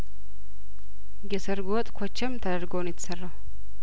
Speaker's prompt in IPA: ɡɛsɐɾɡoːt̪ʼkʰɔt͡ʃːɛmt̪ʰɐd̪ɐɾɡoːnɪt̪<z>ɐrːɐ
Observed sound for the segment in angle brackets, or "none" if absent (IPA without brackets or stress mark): s